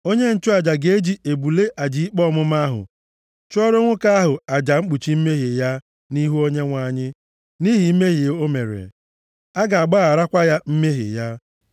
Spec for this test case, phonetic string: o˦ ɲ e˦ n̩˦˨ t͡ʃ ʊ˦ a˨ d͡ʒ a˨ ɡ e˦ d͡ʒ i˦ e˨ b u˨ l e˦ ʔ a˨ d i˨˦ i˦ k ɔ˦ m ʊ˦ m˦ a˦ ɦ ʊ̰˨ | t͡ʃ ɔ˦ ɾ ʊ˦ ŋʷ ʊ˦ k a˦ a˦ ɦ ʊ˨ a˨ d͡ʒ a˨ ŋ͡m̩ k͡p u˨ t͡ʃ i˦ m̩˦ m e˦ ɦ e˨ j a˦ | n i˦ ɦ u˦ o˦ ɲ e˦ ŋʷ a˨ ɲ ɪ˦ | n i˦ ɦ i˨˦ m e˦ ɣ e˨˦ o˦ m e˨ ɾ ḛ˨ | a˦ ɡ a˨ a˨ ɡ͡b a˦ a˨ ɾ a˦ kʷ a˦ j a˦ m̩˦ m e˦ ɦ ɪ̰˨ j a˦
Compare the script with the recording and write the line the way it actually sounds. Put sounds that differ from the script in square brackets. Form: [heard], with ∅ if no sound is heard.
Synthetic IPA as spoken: o˦ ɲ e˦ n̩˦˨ t͡ʃ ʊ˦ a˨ d͡ʒ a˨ ɡ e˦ d͡ʒ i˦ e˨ b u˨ l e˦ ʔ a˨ [d͡ʒ] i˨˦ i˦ [k͡p] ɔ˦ m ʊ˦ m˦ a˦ ɦ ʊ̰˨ | t͡ʃ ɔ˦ ɾ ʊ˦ ŋʷ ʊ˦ k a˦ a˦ ɦ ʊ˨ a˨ d͡ʒ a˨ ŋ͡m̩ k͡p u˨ t͡ʃ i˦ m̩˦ m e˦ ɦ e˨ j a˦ | n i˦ ɦ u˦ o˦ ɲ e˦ ŋʷ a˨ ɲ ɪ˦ | n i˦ ɦ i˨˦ m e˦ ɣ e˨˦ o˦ m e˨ ɾ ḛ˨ | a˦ ɡ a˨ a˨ ɡ͡b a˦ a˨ ɾ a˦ kʷ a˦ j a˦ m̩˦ m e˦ ɦ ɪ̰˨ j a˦